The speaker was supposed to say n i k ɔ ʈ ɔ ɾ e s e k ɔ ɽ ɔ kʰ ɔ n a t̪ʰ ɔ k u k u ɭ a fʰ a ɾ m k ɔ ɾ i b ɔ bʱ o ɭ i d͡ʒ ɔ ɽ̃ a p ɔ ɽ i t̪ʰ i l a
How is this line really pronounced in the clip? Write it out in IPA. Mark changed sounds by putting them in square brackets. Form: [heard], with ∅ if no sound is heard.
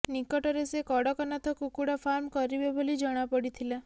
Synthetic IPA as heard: n i k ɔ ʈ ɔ ɾ e s e k ɔ ɽ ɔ [k] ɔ n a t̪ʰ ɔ k u k u [ɽ] a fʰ a ɾ m k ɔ ɾ i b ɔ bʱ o [l] i d͡ʒ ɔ ɽ̃ a p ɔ ɽ i t̪ʰ i l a